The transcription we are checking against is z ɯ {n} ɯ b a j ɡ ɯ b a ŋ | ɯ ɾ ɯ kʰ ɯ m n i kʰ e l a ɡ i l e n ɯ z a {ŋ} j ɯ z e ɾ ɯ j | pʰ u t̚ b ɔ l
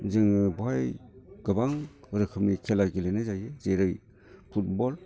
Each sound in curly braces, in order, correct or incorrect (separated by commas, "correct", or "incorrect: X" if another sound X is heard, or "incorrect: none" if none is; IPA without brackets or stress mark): incorrect: ŋ, incorrect: none